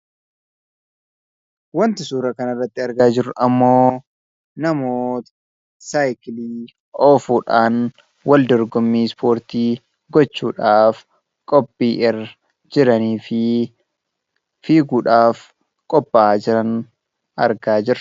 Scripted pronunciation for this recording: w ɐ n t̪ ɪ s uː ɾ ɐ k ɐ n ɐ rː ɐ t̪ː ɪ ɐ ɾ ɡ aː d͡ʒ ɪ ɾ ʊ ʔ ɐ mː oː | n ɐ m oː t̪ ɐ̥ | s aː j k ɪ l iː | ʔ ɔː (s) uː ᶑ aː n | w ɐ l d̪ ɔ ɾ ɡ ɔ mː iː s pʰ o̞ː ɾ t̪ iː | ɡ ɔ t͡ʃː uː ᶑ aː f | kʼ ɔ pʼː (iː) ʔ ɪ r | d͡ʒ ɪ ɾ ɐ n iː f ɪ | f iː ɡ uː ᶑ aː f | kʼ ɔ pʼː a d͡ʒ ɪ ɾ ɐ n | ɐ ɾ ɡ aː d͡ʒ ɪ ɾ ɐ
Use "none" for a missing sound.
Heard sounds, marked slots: f, iː

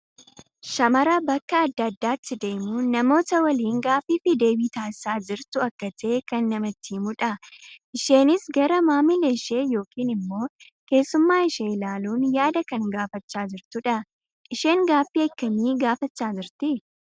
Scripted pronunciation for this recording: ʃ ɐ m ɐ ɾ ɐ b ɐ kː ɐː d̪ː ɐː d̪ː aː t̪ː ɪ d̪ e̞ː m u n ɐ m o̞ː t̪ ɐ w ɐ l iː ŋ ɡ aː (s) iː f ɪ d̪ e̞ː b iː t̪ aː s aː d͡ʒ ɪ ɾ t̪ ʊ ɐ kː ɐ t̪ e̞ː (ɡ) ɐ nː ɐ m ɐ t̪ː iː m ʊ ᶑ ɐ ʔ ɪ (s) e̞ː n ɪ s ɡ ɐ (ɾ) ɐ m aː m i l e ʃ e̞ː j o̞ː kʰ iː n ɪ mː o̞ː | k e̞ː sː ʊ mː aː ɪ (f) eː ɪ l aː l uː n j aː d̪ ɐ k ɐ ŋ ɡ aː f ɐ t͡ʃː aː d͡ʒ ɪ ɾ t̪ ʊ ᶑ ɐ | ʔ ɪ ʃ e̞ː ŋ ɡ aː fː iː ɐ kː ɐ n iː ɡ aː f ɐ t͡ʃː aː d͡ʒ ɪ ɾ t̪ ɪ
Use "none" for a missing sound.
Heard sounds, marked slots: f, k, ʃ, ɾ, ʃ

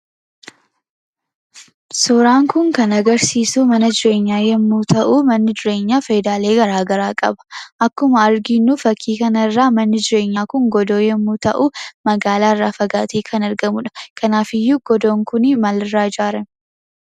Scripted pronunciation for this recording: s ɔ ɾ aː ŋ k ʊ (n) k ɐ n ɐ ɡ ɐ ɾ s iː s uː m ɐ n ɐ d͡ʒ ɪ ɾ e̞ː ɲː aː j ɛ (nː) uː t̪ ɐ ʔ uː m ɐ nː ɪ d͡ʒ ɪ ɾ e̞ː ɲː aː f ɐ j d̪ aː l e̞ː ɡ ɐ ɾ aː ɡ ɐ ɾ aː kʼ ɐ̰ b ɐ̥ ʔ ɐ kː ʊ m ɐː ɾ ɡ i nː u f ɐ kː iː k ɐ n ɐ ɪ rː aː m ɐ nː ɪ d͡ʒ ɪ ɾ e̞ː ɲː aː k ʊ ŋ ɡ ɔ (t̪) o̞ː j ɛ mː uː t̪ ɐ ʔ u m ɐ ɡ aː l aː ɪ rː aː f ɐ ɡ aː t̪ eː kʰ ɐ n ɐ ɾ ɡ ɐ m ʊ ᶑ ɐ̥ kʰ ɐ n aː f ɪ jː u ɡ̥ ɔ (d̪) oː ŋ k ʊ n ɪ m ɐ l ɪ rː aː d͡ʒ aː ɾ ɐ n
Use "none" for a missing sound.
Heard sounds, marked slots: ŋ, mː, d̪, d̪

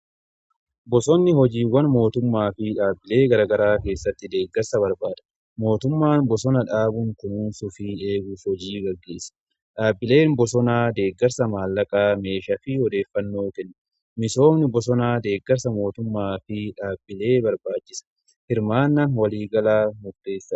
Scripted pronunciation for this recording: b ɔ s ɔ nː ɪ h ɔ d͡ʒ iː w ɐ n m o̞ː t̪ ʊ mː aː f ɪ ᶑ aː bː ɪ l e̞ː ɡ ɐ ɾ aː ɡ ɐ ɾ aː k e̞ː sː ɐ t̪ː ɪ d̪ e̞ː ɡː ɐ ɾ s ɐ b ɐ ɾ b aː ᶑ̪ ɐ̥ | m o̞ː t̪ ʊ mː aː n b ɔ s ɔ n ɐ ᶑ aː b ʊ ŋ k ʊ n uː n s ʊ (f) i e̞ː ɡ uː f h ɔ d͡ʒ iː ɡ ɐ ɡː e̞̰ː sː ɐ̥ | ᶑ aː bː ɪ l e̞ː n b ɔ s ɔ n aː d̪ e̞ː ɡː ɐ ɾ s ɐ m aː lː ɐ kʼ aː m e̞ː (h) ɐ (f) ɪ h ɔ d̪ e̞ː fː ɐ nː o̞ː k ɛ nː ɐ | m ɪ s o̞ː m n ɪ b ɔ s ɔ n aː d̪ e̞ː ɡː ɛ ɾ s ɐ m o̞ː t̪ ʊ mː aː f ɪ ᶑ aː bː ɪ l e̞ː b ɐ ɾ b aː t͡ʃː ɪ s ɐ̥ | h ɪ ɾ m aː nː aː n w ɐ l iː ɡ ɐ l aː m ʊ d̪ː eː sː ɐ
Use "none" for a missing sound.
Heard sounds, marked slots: f, ʃ, f

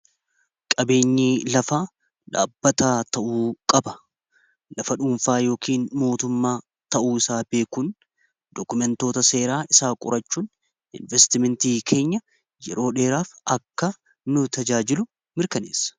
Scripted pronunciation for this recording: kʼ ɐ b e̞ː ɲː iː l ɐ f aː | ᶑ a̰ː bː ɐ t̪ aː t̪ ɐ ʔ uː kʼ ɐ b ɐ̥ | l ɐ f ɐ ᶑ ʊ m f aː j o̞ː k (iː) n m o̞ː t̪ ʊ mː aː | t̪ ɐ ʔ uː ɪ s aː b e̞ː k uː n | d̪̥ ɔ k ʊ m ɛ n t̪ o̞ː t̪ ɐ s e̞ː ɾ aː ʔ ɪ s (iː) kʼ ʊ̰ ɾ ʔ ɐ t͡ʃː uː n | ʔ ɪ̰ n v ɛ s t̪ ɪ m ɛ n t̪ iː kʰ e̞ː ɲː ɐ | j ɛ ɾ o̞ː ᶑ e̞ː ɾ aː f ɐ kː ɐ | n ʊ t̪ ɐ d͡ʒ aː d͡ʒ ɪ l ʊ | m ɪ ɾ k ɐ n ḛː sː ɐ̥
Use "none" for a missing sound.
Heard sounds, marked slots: iː, aː

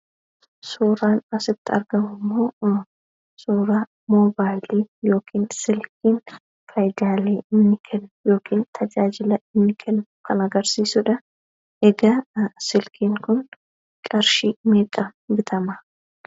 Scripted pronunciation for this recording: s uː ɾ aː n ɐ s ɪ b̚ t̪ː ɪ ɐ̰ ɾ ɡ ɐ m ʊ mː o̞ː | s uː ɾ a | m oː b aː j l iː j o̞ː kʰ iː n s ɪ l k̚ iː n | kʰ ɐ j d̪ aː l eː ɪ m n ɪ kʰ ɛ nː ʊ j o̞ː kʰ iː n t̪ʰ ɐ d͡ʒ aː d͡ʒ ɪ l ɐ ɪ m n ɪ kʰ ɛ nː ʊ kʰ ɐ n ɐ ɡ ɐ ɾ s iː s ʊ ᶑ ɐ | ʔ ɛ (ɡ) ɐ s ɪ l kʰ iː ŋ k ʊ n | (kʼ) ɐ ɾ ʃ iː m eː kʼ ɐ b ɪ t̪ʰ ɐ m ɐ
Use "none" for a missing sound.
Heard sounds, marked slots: ɡ, kʼ

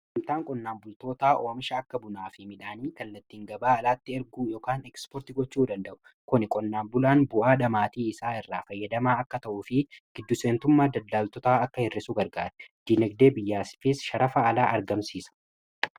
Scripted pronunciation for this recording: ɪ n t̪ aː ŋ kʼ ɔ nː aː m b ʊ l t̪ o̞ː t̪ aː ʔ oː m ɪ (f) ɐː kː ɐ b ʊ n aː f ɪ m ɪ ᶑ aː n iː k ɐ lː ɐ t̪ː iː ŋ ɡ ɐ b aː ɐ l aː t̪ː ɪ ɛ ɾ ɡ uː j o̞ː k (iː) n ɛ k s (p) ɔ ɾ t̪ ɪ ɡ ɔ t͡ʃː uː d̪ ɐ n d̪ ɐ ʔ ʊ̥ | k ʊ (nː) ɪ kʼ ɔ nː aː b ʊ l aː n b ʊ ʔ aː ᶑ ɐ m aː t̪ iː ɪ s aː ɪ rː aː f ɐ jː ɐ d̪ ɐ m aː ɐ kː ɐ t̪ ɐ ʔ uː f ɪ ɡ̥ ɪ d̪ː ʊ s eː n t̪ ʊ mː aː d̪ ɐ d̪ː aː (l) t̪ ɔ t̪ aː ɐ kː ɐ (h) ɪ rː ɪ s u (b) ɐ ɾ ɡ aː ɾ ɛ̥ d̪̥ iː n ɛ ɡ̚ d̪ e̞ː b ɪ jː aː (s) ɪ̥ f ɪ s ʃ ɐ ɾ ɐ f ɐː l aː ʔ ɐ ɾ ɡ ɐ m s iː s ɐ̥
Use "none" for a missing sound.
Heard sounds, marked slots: ʃ, aː, p, n, l, h, ɡ, s

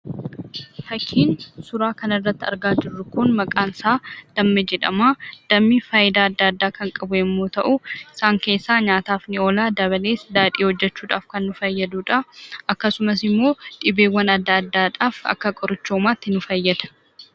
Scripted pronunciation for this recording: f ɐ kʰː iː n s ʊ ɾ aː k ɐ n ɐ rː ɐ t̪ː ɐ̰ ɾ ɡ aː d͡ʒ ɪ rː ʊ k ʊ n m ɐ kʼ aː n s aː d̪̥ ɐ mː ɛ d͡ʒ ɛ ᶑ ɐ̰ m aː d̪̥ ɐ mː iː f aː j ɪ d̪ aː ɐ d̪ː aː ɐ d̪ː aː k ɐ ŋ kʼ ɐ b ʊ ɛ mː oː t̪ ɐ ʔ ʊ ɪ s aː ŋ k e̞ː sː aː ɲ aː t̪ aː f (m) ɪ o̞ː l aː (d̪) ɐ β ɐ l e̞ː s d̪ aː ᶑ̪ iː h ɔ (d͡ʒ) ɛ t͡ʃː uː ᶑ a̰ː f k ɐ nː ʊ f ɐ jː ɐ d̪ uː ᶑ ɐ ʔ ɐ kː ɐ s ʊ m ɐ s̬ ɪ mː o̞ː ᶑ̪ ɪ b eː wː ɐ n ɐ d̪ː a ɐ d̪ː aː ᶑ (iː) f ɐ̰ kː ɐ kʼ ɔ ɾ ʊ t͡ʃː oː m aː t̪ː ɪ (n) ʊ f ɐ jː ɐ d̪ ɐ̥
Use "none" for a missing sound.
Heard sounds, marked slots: n, d̪, d͡ʒː, aː, n

